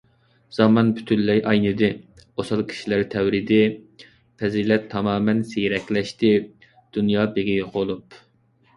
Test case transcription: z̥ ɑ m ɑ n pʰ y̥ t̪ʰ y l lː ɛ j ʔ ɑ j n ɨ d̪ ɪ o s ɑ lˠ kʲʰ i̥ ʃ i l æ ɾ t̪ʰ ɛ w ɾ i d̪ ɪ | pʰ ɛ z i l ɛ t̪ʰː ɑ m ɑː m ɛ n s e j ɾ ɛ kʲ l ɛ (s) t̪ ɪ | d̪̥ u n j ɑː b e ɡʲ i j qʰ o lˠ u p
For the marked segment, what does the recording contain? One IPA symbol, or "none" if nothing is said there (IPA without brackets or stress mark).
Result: ʃ